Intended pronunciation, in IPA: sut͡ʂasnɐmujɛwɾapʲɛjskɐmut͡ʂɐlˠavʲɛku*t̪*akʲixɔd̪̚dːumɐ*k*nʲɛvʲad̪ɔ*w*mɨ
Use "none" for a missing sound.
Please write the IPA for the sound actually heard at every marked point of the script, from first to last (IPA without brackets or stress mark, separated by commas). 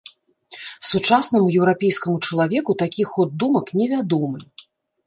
t̪, k, none